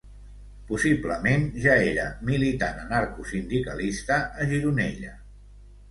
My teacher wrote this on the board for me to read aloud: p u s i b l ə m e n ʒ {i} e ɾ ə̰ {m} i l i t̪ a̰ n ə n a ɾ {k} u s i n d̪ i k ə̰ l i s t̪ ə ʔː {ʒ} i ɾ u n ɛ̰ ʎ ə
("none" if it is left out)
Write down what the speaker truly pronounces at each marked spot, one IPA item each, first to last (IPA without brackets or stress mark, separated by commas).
a, m, k, ʒ